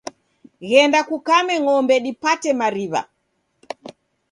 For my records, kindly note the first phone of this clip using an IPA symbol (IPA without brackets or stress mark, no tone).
ɣ